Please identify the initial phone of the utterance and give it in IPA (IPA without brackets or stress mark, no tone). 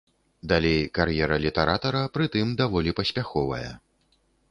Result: d̪